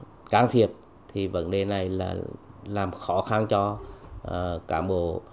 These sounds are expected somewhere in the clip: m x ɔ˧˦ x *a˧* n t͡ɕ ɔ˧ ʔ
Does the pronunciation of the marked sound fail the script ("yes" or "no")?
no